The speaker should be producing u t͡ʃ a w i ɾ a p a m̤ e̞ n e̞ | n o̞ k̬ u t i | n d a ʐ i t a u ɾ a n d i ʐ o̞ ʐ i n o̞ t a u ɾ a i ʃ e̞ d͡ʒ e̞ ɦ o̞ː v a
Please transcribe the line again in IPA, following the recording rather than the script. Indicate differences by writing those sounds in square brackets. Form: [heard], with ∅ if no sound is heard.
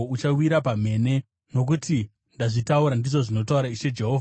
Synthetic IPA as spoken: u t͡ʃ a w i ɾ a p a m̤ e̞ n e̞ | n o̞ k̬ u t i | n d a ʐ i t a u ɾ a n d i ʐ o̞ ʐ i n o̞ t a u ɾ a i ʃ e̞ d͡ʒ e̞ ɦ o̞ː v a